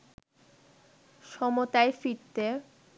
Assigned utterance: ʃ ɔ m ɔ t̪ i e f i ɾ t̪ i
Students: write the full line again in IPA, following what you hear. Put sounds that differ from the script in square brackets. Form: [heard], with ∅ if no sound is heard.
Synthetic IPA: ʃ ɔ m [o] t̪ [a] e f i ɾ t̪ [e]